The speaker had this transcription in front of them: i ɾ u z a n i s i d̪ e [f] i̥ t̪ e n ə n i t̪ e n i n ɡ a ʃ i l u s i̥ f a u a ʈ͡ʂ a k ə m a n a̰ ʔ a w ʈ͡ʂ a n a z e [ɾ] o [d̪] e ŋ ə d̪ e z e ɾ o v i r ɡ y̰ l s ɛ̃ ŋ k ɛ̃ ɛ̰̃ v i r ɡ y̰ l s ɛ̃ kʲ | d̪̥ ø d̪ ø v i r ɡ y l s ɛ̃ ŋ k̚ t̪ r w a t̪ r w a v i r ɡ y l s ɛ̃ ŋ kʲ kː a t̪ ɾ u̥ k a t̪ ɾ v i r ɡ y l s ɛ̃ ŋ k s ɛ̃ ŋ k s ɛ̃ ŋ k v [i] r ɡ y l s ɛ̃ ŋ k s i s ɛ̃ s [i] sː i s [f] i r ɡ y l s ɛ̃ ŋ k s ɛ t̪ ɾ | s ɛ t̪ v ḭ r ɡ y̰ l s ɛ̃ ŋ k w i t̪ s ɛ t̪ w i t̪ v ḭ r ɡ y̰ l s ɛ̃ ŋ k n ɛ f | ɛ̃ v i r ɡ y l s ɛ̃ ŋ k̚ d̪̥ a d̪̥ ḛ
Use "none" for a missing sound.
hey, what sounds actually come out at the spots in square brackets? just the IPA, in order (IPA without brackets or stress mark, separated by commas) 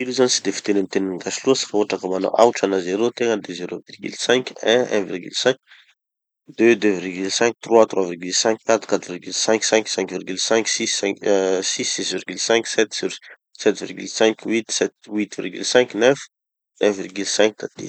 f, ɾ, t̪, i, i, v